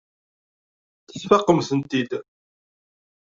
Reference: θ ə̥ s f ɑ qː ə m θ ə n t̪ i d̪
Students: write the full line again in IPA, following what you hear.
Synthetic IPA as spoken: θ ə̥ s f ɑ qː ə m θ ə n t̪ i d̪

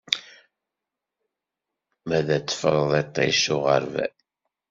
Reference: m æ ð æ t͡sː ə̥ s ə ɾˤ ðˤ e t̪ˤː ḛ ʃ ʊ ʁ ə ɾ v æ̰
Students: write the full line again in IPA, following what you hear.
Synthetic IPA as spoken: m æ ð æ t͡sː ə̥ f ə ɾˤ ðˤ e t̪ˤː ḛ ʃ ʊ ʁ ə ɾ v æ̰

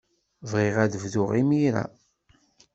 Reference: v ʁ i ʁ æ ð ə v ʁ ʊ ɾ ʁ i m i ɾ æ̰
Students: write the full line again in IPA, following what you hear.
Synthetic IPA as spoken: v ʁ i ʁ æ ð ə v ð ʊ ʁ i m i ɾ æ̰

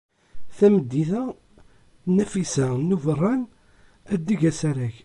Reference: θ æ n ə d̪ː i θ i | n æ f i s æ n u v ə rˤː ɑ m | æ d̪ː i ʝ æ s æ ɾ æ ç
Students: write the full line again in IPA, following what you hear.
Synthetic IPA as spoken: θ æ m ə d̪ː i θ æ | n æ f i s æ n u v ə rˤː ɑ n | æ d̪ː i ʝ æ s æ ɾ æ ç

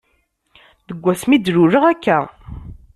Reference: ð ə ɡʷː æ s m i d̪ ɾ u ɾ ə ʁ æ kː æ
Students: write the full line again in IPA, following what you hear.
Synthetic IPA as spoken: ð ə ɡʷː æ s m i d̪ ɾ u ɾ ə ʁ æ kː æ

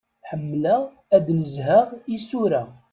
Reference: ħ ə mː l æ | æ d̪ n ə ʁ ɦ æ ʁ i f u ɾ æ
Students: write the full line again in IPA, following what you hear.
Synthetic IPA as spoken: ħ ə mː l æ | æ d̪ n ə z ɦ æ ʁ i s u ɾ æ

